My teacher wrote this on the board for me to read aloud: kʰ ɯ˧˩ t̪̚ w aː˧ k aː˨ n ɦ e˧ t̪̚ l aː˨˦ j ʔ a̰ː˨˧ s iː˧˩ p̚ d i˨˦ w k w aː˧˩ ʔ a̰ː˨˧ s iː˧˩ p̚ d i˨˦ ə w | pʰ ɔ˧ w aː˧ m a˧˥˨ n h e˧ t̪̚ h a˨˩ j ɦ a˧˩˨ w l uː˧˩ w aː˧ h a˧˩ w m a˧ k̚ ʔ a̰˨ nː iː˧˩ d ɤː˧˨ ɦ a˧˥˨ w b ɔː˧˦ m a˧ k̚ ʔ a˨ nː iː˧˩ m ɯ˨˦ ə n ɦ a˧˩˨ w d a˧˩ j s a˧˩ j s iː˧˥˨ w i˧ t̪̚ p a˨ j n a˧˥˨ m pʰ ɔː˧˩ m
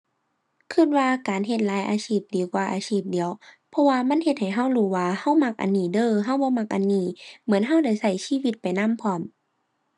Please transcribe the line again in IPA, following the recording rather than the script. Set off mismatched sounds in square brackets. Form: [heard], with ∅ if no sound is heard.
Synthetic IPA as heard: kʰ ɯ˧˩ t̪̚ w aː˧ k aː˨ n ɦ e˧ t̪̚ l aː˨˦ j ʔ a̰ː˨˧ s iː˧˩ p̚ d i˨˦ w k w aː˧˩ ʔ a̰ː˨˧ s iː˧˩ p̚ d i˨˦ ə w | pʰ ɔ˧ w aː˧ m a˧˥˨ n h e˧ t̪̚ h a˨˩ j ɦ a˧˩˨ w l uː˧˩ w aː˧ h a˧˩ w m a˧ k̚ ʔ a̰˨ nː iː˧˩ d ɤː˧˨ ɦ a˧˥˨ w b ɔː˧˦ m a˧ k̚ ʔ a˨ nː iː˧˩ m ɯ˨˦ ə n ɦ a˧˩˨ w d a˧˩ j s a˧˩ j s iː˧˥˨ w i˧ t̪̚ p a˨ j n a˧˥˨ m pʰ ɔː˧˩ m